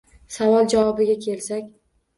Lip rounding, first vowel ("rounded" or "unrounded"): unrounded